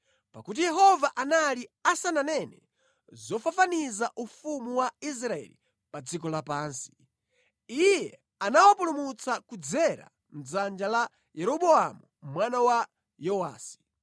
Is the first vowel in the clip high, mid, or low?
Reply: low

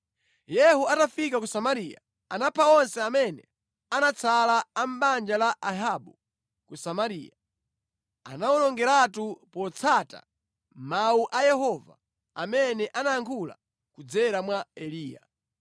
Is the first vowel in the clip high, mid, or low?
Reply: mid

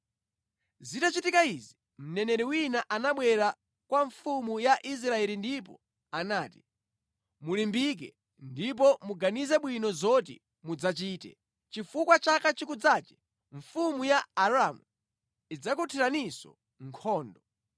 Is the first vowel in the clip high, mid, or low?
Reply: high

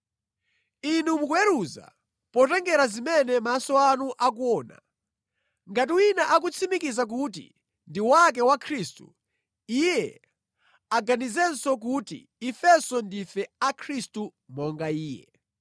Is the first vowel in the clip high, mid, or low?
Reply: high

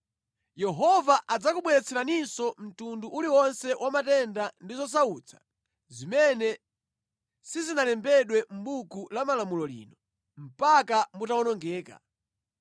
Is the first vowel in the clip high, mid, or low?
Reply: mid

